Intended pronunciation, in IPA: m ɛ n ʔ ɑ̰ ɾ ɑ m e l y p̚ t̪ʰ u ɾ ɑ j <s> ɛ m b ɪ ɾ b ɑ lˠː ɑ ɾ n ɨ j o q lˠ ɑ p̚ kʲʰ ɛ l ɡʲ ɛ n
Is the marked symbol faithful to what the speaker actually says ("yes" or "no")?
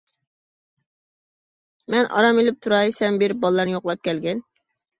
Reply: yes